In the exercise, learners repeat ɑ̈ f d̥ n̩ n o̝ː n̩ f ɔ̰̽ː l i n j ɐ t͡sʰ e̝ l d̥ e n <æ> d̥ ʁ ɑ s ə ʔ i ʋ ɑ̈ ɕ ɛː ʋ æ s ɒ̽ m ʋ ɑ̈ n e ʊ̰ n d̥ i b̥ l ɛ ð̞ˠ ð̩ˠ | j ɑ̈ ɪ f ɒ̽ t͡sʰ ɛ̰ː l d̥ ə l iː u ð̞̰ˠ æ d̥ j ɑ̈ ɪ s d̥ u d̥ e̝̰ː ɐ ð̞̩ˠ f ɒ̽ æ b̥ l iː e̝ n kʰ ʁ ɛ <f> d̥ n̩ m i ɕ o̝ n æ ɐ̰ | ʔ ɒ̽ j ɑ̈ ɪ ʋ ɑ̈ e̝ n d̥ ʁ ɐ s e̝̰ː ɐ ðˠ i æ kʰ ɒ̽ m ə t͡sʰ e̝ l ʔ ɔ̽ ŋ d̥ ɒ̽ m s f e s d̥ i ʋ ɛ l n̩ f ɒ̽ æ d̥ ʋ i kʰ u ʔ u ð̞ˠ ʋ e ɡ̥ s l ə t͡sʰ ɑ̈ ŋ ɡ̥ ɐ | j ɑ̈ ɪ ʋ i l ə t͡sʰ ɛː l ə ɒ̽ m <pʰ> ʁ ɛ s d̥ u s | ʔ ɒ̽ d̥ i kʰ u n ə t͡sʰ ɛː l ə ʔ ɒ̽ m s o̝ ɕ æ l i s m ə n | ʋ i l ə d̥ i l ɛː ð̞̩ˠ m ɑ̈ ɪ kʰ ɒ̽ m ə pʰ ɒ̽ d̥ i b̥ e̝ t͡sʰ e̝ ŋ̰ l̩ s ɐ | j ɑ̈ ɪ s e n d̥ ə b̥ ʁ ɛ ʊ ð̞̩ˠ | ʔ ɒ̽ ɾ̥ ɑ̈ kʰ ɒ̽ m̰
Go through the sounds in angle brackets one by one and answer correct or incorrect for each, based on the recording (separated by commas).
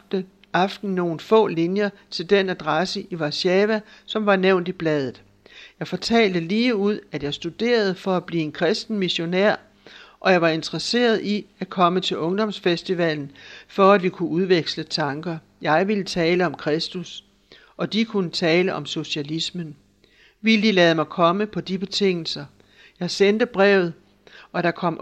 correct, incorrect, incorrect